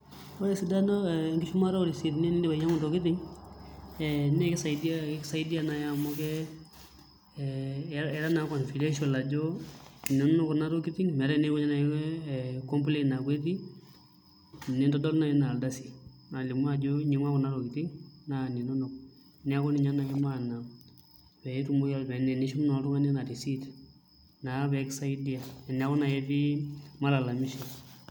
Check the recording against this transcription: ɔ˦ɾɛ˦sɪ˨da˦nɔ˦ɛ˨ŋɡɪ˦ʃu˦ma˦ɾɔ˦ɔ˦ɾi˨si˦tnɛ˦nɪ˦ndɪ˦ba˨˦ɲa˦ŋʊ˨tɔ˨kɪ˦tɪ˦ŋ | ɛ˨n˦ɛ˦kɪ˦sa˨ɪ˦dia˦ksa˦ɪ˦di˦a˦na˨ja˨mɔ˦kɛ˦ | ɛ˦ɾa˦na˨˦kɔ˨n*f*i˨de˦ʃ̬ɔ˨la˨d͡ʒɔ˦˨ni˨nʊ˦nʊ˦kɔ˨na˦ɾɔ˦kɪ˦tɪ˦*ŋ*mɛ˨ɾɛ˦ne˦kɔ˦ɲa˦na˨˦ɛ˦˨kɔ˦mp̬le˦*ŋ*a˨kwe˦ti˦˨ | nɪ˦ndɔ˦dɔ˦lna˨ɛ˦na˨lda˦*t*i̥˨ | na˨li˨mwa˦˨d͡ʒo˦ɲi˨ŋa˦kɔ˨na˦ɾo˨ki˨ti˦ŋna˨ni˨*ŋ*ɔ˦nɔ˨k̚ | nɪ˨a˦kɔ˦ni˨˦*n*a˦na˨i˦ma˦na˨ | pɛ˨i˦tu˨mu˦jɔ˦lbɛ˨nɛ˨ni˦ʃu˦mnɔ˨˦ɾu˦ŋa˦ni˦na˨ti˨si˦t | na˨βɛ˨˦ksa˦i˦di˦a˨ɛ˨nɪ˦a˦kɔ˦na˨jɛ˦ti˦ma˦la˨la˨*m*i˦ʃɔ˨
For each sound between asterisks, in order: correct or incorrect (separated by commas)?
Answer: correct, correct, incorrect, incorrect, incorrect, incorrect, correct